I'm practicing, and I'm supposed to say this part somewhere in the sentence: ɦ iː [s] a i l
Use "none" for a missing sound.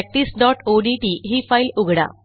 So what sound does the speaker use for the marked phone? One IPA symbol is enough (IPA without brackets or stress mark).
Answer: f